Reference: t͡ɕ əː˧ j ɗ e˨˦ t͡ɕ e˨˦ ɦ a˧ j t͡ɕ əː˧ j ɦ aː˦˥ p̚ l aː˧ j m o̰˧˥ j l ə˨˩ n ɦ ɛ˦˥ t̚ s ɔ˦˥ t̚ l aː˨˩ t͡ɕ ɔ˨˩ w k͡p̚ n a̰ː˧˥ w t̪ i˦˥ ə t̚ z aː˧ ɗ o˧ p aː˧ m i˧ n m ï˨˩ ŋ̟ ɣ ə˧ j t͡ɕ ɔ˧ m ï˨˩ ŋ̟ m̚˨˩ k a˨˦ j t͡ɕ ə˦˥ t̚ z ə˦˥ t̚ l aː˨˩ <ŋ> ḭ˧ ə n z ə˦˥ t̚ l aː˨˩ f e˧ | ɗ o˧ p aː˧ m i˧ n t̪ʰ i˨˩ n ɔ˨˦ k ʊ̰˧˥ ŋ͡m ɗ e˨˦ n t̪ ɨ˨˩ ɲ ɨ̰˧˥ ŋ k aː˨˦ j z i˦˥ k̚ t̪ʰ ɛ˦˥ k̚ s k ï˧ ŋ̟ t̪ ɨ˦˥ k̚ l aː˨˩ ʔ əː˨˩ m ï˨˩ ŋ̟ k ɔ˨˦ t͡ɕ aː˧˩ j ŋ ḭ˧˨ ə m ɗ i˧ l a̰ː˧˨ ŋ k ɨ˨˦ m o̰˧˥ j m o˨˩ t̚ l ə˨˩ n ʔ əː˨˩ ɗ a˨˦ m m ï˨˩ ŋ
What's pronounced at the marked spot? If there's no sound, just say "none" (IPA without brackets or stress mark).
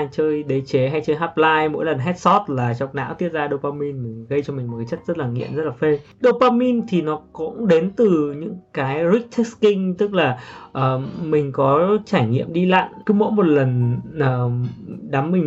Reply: ŋ